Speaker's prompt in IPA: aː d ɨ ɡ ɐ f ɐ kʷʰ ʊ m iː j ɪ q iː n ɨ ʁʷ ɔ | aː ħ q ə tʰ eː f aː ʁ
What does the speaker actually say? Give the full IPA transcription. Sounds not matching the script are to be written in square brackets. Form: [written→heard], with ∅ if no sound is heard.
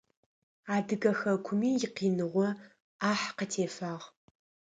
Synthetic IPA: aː d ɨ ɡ ɐ [f→x] ɐ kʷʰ ʊ m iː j ɪ q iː n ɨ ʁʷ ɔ | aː ħ q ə tʰ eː f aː ʁ